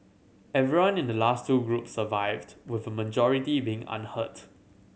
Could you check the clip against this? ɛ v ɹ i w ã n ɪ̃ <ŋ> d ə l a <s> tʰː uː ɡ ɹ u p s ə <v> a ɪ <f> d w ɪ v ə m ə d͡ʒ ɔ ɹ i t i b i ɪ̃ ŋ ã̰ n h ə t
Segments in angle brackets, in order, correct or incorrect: incorrect: n, correct, correct, incorrect: v

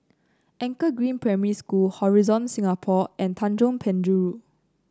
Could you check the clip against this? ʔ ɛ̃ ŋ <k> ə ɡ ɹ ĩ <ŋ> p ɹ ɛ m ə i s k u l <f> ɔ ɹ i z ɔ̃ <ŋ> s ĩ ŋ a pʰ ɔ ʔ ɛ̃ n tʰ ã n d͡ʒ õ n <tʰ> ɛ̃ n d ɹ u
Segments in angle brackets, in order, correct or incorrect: correct, incorrect: n, incorrect: h, incorrect: n, incorrect: pʰ

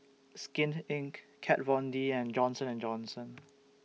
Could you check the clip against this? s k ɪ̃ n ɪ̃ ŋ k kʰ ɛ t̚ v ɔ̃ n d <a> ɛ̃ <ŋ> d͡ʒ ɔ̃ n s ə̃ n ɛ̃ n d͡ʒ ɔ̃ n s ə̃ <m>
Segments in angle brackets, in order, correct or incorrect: incorrect: i, incorrect: n, incorrect: n

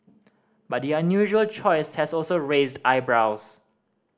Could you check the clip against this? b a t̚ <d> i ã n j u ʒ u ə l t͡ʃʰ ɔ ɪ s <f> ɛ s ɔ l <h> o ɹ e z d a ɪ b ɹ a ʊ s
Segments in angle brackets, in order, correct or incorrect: correct, incorrect: h, incorrect: s

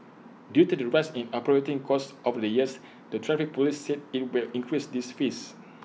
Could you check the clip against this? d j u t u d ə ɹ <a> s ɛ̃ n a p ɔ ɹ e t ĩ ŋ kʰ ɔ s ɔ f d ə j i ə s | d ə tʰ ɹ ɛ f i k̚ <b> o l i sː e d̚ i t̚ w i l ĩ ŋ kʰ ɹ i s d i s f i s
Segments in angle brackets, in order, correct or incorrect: correct, incorrect: p

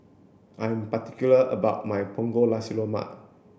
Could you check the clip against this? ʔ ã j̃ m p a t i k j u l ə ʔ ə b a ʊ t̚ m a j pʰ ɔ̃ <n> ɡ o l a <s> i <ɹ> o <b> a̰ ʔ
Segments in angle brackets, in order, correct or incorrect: incorrect: ŋ, correct, incorrect: l, incorrect: m

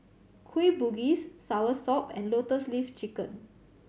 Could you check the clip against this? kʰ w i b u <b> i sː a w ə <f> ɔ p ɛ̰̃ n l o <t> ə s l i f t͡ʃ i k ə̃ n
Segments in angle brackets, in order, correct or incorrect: incorrect: ɡ, incorrect: s, correct

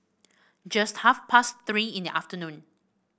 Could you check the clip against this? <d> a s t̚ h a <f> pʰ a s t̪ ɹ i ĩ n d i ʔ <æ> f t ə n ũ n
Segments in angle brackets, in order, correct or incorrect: incorrect: d͡ʒ, correct, incorrect: a

